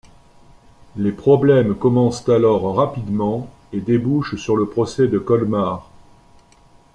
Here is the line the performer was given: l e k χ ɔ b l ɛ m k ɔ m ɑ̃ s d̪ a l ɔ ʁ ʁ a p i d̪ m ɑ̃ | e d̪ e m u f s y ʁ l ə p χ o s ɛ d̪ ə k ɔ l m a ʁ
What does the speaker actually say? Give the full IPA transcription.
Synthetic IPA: l e p χ ɔ b l ɛ m k ɔ m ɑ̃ s t̪ a l ɔ ʁ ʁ a p i d̪ m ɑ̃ | e d̪ e b u ʃ s y ʁ l ə p χ ɔ s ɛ d̪ ə k ɔ l m a ʁ